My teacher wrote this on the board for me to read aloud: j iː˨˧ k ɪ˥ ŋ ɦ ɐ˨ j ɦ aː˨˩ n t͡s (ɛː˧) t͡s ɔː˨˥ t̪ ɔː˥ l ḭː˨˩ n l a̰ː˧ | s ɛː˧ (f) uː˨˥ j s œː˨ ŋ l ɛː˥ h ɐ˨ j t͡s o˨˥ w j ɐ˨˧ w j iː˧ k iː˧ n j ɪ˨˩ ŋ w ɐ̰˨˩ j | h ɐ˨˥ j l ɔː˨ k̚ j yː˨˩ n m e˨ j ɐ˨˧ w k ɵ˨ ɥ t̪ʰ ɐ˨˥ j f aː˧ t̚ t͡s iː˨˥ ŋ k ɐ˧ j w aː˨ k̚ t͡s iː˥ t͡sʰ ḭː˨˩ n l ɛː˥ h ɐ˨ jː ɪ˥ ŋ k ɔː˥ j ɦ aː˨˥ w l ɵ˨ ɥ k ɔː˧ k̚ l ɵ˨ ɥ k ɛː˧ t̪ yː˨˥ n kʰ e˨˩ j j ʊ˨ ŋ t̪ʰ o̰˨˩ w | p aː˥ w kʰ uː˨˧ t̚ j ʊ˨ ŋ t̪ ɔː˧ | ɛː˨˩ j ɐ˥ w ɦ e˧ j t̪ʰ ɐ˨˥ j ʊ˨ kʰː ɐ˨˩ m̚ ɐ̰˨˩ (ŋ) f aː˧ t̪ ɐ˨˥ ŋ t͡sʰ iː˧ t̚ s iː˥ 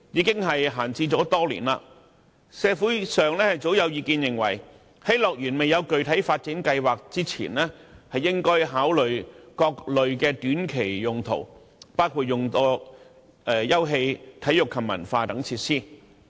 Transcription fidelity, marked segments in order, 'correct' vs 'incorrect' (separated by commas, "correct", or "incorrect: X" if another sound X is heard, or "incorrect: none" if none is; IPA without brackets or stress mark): incorrect: iː˧, correct, incorrect: n